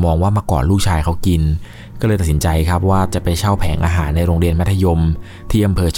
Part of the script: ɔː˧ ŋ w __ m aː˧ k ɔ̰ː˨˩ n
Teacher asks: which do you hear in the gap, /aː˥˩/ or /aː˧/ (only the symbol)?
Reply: aː˥˩